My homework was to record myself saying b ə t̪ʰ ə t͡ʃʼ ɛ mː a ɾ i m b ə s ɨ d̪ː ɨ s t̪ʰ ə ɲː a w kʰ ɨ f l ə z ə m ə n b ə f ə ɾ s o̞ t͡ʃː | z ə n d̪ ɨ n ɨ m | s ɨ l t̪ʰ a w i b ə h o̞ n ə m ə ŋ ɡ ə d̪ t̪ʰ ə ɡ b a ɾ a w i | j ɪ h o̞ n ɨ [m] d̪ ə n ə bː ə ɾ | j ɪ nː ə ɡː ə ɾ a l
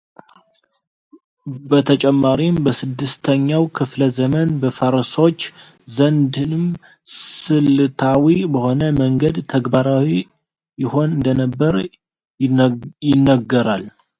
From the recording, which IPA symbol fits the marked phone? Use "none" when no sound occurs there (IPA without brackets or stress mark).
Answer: n